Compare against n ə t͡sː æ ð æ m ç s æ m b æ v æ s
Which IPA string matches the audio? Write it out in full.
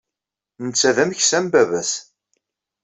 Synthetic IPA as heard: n ə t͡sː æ ð æ m ç s æ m b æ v æ s